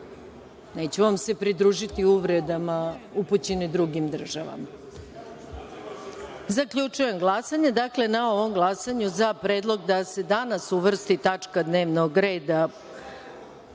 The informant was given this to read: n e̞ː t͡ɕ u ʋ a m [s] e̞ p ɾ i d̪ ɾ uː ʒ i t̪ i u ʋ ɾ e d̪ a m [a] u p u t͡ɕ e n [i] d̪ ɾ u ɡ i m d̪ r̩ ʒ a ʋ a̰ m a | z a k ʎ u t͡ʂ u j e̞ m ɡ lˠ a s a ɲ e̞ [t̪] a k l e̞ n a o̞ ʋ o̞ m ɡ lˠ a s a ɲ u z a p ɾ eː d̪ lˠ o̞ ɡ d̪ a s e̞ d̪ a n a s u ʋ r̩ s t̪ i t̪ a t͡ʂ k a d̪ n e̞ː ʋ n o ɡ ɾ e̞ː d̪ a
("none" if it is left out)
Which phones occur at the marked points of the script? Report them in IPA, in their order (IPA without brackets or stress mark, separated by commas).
s, a, i, d̪